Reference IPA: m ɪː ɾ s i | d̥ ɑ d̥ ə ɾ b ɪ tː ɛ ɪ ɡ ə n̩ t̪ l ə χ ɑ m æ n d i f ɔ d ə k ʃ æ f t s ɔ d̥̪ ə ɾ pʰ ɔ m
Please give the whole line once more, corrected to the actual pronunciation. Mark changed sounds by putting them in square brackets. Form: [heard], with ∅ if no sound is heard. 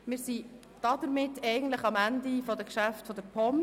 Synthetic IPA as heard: m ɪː ɾ s i | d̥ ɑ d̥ ə ɾ [m] ɪ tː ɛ ɪ ɡ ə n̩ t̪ l ə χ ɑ m æ n d i f ɔ d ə k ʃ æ f t [f] ɔ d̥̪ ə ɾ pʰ ɔ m